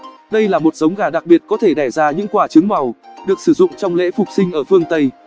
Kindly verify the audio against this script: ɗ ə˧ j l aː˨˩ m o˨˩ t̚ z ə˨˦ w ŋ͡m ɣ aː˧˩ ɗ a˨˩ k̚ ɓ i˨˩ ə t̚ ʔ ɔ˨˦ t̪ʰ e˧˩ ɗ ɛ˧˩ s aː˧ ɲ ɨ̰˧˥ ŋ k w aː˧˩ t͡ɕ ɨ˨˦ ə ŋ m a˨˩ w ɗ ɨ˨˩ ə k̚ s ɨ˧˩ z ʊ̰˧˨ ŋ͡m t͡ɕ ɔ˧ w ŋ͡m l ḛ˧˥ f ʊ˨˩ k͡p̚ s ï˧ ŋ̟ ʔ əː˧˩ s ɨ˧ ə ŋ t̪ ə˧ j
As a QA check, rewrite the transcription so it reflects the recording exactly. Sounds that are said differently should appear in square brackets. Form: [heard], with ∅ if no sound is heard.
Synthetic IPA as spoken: ɗ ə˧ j l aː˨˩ m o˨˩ t̚ z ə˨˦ w ŋ͡m ɣ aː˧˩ ɗ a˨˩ k̚ ɓ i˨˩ ə t̚ [k] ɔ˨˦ t̪ʰ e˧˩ ɗ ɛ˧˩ [z] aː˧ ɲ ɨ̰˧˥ ŋ k w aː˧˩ t͡ɕ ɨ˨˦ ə ŋ m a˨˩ w ɗ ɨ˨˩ ə k̚ s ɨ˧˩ z ʊ̰˧˨ ŋ͡m t͡ɕ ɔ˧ w ŋ͡m l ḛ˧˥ f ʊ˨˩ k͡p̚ s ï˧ ŋ̟ ʔ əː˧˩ [f] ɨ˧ ə ŋ t̪ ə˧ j